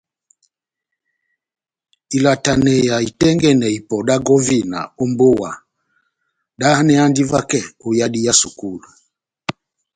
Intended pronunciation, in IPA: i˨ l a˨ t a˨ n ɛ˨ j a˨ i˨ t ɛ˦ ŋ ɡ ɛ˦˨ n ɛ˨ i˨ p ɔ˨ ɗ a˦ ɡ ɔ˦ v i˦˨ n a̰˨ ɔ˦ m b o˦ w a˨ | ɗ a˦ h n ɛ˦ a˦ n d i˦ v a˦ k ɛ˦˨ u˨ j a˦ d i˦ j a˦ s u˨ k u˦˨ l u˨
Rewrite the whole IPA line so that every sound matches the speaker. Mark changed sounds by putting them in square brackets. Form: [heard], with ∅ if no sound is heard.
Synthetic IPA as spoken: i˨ l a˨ t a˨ n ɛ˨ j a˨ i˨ t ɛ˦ ŋ ɡ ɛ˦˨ n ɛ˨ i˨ p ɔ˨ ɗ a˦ ɡ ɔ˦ v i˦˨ n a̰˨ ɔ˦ m b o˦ w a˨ | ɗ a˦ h n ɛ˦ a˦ n d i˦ v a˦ k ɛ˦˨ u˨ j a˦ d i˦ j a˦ s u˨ k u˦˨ l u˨